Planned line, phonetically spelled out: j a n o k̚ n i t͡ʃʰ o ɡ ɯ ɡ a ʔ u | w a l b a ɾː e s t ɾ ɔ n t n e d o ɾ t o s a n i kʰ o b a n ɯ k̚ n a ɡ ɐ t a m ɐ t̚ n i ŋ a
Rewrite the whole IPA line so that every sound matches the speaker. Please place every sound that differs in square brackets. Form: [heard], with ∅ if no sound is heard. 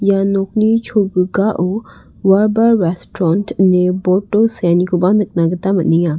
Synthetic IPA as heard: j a n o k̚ n i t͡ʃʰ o ɡ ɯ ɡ a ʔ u | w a [ɾ] b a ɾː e s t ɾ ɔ n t n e [b] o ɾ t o s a n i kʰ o b a n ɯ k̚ n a ɡ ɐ t a m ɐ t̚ n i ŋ a